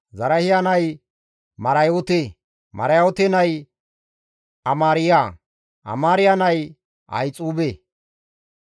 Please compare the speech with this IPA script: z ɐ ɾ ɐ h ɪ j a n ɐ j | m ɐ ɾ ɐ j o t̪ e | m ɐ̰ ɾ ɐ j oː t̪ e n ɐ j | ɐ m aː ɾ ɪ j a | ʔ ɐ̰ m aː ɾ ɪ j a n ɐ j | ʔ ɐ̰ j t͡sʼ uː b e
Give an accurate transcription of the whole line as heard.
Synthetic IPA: z ɐ ɾ ɐ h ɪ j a n ɐ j | m ɐ ɾ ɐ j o t̪ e | m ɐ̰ ɾ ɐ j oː t̪ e n ɐ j | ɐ m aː ɾ ɪ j a | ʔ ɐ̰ m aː ɾ ɪ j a n ɐ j | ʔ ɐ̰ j t͡sʼ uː b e